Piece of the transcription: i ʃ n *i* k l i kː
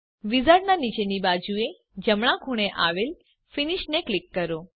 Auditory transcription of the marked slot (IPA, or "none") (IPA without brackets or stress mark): e